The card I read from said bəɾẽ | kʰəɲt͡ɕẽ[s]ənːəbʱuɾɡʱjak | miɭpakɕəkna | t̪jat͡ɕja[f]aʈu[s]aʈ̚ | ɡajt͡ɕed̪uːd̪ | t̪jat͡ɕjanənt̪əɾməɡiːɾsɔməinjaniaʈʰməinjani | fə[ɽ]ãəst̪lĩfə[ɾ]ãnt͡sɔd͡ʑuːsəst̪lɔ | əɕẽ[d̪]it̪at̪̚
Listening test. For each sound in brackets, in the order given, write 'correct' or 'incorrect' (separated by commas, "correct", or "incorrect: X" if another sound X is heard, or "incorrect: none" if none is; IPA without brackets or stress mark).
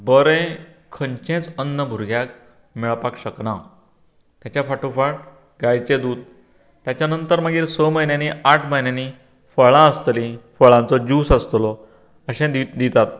incorrect: t͡s, correct, incorrect: f, incorrect: ɭ, incorrect: ɭ, correct